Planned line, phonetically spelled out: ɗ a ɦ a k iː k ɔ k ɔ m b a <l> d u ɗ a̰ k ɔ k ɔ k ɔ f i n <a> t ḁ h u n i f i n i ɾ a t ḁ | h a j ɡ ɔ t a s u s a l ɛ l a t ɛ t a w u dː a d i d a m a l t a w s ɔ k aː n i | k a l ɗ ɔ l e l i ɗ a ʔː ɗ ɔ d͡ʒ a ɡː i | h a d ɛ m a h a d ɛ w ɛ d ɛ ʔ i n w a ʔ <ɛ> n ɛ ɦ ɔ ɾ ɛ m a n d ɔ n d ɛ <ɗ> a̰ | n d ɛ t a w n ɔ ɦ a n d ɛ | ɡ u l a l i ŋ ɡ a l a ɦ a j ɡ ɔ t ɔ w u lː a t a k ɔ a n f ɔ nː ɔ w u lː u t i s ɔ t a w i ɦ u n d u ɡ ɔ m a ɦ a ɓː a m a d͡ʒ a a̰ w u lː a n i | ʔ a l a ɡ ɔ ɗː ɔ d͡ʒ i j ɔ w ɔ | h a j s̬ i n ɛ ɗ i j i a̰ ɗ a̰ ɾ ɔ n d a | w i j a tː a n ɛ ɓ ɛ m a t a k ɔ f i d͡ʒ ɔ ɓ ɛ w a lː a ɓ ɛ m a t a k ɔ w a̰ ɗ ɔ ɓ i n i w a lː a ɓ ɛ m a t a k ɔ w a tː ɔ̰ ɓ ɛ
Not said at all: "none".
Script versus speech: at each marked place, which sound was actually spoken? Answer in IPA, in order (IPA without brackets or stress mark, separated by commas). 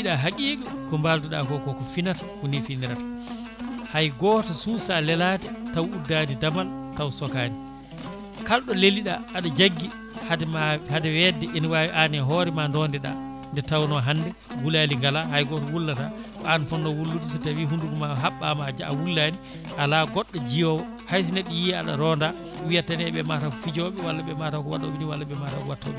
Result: l, a, a, ɗ